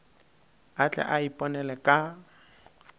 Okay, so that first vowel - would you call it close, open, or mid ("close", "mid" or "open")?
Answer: open